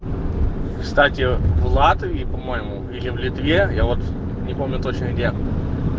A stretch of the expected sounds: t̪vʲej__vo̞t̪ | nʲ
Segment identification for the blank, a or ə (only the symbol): a